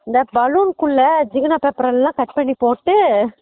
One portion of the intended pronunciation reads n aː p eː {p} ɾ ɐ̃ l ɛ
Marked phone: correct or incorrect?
correct